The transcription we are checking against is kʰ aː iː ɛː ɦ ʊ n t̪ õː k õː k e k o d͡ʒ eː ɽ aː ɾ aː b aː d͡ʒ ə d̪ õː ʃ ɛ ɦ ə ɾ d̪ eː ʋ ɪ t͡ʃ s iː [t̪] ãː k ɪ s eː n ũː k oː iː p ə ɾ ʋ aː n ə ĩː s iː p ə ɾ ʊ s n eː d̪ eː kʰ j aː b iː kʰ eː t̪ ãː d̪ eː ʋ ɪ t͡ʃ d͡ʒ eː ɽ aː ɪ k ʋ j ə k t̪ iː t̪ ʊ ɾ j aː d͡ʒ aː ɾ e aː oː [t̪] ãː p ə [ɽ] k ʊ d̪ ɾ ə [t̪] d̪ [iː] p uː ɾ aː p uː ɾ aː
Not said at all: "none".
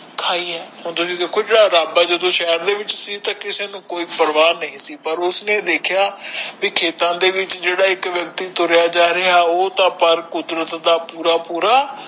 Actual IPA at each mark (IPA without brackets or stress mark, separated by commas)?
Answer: t̪, t̪, ɾ, t̪, aː